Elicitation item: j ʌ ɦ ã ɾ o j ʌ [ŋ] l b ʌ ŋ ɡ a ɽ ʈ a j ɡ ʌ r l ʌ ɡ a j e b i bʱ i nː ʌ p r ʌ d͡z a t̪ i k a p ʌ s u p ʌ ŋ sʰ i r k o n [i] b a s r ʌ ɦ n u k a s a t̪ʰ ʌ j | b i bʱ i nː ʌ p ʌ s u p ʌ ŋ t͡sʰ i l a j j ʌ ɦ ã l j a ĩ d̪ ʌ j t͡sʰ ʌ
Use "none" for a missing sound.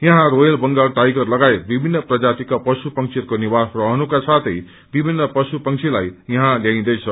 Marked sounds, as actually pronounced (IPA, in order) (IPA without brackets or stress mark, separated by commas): none, i